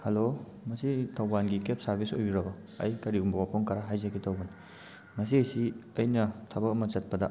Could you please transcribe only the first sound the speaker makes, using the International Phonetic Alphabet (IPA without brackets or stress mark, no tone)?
h